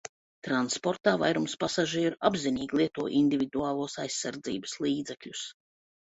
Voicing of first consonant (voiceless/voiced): voiceless